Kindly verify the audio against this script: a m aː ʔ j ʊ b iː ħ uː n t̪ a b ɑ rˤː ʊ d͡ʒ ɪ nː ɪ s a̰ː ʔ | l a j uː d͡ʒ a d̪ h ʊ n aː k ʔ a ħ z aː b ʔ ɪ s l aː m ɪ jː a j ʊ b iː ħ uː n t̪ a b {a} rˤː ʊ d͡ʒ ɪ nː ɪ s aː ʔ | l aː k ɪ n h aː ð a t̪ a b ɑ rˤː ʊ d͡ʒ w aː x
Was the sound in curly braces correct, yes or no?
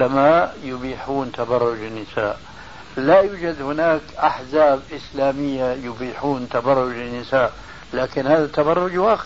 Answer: no